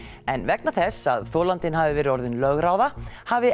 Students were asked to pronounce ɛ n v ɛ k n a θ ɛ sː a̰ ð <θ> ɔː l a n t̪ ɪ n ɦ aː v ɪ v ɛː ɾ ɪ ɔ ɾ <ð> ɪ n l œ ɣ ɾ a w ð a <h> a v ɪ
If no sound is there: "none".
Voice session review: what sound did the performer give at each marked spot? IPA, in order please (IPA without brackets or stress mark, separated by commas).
θ, ð, h